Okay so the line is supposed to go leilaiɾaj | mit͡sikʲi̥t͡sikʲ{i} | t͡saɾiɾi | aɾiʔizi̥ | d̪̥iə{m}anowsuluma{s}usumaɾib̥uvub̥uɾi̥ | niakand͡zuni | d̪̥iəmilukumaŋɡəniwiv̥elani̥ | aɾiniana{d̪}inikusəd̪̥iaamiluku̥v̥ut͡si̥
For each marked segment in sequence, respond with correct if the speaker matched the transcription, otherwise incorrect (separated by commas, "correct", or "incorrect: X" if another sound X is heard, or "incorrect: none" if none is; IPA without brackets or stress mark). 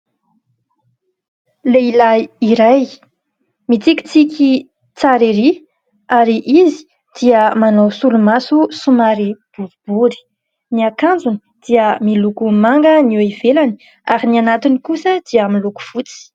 correct, correct, correct, incorrect: t̪